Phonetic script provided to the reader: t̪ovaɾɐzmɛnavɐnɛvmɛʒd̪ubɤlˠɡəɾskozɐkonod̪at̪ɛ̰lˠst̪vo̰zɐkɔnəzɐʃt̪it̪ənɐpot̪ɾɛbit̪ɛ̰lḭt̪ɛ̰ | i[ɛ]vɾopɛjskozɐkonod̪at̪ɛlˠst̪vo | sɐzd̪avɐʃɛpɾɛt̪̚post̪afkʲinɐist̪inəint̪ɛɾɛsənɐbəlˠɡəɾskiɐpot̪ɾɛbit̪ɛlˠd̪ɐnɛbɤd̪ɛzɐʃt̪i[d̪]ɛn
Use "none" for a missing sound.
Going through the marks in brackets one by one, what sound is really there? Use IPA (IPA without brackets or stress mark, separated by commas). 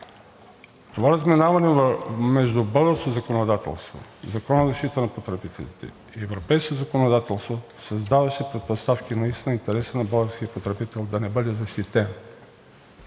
ɛ, t̪